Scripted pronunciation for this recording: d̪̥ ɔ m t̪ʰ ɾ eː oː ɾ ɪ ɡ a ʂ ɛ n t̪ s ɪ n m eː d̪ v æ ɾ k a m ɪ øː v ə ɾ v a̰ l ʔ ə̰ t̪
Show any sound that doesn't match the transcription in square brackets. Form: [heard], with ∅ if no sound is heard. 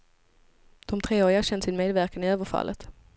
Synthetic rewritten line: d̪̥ ɔ m t̪ʰ ɾ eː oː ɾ ɪ ɡ a [ɕ] ɛ n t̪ s ɪ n m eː d̪ v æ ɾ k a [n] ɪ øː v ə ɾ [f] a̰ l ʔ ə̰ t̪